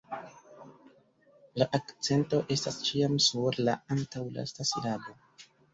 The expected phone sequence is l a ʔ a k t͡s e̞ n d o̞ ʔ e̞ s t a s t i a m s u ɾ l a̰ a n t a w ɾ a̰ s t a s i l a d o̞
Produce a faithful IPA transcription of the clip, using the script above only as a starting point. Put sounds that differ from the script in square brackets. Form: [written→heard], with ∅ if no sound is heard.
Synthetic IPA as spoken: l a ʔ a k t͡s e̞ n [d→t] o̞ ʔ e̞ s t a s [t→t͡ʃ] i a m s u ɾ l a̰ a n t a w [ɾ→l] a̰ s t a s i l a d o̞